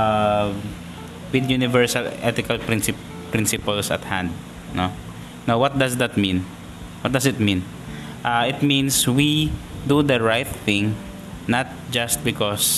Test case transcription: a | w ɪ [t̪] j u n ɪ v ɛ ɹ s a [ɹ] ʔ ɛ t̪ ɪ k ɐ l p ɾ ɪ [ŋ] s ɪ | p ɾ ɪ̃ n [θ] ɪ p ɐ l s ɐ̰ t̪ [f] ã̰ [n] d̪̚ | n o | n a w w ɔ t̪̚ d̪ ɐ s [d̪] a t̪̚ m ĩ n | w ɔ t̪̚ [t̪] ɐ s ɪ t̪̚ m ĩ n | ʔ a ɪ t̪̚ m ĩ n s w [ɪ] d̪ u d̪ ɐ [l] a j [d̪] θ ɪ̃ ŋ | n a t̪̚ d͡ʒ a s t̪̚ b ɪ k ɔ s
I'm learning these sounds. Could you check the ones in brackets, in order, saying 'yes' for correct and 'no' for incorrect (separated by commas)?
no, no, no, no, no, yes, yes, no, no, no, no